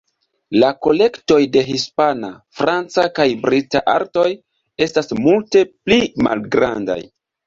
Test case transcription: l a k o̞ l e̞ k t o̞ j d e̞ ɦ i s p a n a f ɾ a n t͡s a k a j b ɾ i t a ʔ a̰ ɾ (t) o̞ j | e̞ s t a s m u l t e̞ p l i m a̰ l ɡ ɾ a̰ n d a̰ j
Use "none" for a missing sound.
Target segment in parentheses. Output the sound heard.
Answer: t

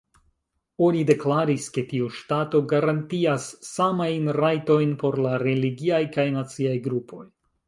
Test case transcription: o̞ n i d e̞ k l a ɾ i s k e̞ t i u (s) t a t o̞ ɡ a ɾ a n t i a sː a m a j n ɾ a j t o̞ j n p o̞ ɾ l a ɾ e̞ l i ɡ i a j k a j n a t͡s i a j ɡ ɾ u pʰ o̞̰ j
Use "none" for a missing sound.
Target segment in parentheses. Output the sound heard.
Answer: ʃ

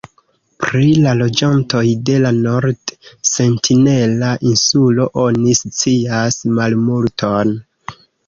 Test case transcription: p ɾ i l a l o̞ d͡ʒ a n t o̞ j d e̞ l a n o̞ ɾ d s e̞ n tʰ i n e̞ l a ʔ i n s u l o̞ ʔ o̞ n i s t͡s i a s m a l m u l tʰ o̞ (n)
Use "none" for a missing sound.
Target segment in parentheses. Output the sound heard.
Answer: n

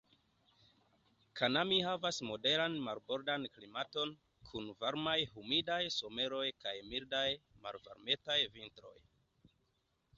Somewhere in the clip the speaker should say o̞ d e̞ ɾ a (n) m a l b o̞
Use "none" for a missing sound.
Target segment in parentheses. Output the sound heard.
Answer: n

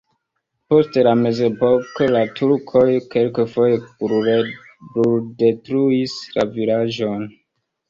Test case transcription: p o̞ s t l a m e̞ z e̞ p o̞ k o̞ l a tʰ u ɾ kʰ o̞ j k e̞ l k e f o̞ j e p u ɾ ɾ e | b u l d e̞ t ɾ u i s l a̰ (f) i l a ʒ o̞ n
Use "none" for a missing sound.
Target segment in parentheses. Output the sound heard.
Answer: v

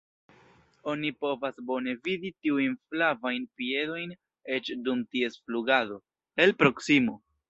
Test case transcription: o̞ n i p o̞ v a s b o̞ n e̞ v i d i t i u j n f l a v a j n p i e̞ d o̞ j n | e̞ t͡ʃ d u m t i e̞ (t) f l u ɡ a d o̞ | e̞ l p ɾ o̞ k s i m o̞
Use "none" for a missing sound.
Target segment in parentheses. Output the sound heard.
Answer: s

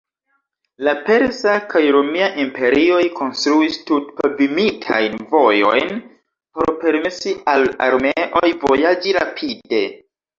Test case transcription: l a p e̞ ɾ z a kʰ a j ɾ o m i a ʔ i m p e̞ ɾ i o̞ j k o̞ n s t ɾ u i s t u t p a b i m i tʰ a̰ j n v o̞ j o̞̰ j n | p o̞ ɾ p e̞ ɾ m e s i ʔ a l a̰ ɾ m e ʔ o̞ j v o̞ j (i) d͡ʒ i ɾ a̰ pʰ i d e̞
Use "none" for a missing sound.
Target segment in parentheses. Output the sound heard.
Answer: a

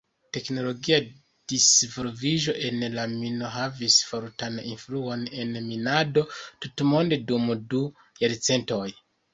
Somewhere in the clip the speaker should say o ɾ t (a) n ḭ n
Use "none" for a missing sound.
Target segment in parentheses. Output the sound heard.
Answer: a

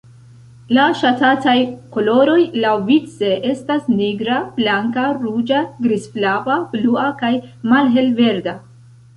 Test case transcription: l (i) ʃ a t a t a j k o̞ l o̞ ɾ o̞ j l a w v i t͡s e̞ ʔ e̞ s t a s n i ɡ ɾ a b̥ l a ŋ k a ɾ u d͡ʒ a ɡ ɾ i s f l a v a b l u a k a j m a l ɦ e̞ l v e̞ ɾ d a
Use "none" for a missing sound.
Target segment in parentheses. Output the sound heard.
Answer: a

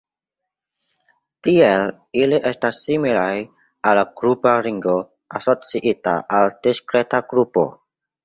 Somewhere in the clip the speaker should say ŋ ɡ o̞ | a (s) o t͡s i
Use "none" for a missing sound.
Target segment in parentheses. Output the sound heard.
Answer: s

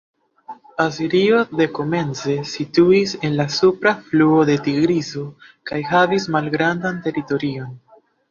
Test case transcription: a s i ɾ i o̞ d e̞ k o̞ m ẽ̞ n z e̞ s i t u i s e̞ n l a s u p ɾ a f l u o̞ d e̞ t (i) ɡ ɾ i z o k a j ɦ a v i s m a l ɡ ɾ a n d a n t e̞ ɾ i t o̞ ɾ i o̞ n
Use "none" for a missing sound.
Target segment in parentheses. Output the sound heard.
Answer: i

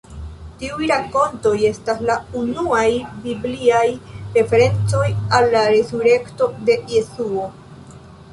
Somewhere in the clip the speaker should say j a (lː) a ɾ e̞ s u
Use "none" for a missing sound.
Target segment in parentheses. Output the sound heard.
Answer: lː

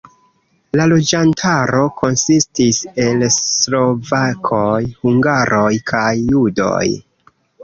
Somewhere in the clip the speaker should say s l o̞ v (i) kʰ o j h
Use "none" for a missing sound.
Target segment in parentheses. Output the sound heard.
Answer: a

